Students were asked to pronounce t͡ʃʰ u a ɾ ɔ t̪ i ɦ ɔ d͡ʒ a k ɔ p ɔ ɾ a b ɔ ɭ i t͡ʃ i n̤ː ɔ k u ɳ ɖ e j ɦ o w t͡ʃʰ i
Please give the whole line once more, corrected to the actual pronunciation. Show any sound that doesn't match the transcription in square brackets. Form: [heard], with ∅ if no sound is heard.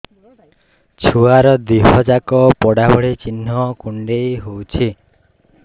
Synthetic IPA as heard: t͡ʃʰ u a ɾ ɔ [d̪] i ɦ ɔ d͡ʒ a k ɔ p ɔ [ɽ] a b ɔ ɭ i t͡ʃ i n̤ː ɔ k u ɳ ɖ e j ɦ o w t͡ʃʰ i